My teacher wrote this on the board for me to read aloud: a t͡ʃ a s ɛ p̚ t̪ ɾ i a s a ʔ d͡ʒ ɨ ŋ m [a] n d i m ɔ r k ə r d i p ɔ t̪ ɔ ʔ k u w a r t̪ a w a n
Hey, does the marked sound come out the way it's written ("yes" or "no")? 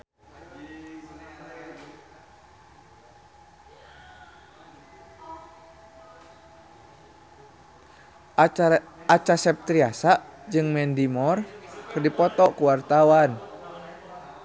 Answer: no